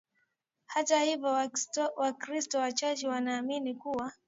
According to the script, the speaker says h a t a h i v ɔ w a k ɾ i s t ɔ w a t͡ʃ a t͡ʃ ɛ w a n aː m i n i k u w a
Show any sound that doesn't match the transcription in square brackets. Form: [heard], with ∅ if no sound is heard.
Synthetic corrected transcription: h a t a h i v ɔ w a k ɾ i s t ɔ w a t͡ʃ a t͡ʃ ɛ w a n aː m i n i k u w a

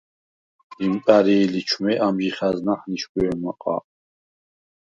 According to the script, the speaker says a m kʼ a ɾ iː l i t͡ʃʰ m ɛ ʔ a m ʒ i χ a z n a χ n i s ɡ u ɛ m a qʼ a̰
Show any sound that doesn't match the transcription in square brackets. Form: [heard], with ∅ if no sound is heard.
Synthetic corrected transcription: [i] m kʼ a ɾ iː l i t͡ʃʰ m ɛ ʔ a m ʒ i χ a z n a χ n i [ʃ] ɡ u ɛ m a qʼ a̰

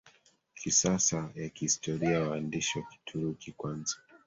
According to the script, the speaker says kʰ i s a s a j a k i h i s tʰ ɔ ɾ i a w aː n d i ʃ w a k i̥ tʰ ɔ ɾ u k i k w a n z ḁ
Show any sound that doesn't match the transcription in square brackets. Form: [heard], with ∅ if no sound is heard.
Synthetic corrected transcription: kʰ i s a s a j a k i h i s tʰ ɔ ɾ i a w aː n d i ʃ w a k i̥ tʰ [u] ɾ u k i k w a n z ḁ

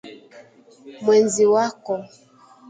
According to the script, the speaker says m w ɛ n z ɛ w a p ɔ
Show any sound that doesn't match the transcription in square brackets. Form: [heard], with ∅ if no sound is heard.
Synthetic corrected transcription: m w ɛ n z [i] w a [k] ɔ

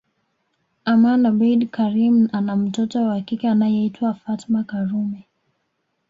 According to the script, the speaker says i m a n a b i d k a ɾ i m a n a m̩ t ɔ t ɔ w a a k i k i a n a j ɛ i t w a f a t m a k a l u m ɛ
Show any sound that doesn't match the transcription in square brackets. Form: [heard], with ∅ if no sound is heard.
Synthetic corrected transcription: [a] m a n a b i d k a ɾ i m a n a m̩ t ɔ t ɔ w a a k i k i a n a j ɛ i t w a f a t m a k a [ɾ] u m ɛ

